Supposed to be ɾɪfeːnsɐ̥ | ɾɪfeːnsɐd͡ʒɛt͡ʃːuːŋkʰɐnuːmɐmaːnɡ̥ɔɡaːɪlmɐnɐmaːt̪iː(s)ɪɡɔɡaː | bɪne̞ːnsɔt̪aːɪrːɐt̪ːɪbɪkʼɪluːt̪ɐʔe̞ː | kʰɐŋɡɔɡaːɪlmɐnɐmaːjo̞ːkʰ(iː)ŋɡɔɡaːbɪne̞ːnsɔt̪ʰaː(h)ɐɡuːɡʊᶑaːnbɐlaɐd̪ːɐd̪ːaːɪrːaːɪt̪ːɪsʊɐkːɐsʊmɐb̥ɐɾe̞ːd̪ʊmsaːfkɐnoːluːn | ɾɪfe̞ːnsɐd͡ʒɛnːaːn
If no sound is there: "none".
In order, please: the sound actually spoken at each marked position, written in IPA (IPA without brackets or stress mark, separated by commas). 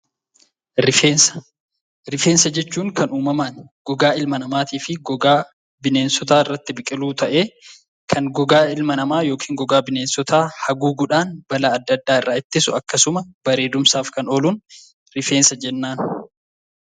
f, iː, h